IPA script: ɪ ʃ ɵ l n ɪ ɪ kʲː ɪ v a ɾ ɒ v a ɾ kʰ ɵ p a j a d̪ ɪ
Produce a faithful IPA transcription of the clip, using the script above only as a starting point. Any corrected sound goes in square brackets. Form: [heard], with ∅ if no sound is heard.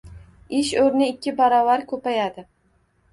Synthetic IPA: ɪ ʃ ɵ [ɾ] n ɪ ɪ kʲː ɪ [b] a ɾ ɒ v a ɾ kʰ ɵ p a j a d̪ ɪ